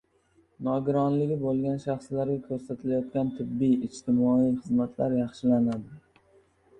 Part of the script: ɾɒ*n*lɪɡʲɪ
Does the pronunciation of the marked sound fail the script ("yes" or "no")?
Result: no